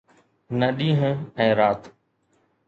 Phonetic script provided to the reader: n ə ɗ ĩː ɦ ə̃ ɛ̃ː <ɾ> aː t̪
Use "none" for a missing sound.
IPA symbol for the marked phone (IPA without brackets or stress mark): ɾ